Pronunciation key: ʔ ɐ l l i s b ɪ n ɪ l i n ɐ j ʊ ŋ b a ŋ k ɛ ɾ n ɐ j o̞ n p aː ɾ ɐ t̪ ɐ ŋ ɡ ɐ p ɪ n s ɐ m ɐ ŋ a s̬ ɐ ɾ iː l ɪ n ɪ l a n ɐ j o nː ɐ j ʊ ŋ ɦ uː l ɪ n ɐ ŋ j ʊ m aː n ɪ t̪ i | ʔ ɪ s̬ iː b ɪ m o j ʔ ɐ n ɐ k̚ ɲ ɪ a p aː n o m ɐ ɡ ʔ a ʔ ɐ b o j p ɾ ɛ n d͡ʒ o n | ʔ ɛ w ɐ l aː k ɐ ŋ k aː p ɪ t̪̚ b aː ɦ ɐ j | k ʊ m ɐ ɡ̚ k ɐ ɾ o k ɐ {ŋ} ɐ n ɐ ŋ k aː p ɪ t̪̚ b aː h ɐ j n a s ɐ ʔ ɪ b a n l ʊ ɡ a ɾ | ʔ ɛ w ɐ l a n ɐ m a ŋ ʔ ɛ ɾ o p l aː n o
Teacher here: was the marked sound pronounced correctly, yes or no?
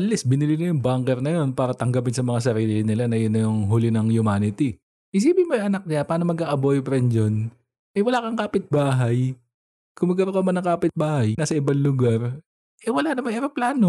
no